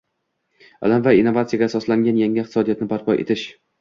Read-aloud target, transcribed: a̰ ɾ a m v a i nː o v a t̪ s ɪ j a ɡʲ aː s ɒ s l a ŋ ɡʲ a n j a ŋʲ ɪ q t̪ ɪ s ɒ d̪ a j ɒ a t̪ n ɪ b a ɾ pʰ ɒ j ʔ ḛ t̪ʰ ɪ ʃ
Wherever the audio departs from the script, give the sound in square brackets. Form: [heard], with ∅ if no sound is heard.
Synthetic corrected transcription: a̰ [l] a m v a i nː o v a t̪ s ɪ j a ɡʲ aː s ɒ s l a ŋ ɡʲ a n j a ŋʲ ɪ q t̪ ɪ s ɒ d̪ [i] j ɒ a t̪ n ɪ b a ɾ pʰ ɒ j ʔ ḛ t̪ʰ ɪ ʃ